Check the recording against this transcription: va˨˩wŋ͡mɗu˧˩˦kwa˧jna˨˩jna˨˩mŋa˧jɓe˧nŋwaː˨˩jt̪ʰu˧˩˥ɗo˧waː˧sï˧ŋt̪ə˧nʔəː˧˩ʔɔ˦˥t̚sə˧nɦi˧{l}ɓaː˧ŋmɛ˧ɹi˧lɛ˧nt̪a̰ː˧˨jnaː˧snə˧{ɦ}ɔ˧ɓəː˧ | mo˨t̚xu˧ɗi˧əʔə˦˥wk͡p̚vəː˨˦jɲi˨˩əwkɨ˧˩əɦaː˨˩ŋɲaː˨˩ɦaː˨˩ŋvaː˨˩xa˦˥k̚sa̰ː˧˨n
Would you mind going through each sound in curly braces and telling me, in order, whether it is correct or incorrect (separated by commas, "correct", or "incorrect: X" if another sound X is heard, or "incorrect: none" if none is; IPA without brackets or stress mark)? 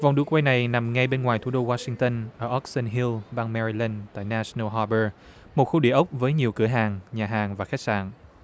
correct, correct